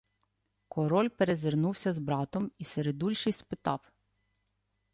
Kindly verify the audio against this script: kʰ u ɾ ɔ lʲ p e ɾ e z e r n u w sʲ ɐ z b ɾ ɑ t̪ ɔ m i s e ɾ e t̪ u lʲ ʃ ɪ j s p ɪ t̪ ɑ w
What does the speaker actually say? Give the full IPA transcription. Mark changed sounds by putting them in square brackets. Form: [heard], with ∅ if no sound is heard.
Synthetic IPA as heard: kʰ [ɔ] ɾ ɔ lʲ p e ɾ e z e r n u w sʲ ɐ z b ɾ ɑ t̪ ɔ m i s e ɾ e [d̪] u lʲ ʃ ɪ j s p ɪ t̪ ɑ w